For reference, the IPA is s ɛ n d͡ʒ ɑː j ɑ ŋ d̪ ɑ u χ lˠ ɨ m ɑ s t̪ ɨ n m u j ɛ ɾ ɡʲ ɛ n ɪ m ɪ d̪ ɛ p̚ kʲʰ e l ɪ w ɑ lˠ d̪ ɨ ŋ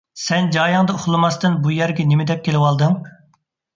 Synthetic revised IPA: s ɛ n d͡ʒ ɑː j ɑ ŋ d̪ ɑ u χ lˠ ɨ m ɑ s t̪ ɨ n b u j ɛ ɾ ɡʲ ɛ n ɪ m ɪ d̪ ɛ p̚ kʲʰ e l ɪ w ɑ lˠ d̪ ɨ ŋ